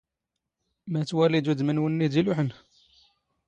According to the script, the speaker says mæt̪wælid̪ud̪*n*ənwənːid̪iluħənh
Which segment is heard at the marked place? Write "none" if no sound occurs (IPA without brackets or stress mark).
m